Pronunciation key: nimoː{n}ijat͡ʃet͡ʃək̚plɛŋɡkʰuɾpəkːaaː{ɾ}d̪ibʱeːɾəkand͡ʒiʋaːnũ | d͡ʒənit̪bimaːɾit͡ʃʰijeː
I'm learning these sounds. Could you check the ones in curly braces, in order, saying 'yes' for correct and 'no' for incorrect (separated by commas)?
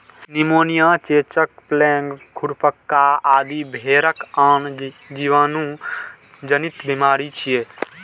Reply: yes, no